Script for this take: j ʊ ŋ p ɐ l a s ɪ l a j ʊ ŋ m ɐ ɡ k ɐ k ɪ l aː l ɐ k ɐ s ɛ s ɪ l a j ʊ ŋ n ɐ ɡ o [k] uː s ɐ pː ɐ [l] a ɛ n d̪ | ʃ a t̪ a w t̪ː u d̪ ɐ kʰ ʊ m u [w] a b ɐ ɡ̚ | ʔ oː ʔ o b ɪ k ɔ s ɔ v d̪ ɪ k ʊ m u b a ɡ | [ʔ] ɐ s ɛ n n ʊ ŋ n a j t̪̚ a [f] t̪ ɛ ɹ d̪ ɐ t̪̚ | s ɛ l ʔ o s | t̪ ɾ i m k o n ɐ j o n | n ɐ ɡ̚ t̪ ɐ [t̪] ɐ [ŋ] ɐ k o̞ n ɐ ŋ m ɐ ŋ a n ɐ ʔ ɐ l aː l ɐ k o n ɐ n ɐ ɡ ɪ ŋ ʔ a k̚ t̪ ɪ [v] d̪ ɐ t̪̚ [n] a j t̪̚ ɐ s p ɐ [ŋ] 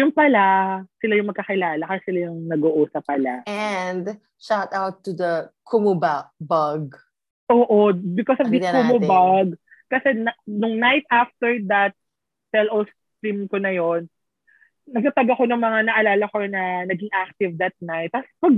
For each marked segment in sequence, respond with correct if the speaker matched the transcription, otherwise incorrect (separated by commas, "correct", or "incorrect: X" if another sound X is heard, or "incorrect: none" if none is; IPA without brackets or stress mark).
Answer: incorrect: ʔ, correct, incorrect: b, incorrect: k, correct, correct, incorrect: ɡ, correct, correct, incorrect: ɡ